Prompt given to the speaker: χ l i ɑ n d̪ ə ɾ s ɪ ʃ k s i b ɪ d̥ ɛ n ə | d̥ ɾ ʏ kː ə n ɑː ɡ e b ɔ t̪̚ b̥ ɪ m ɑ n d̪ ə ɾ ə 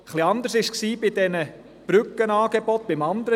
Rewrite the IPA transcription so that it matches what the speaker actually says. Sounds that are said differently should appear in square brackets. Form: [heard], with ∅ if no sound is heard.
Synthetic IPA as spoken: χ l i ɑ n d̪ ə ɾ s ɪ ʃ k s [iː] b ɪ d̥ ɛ n ə | [b̥] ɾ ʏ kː ə n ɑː ɡ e b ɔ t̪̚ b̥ ɪ m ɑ n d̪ ə ɾ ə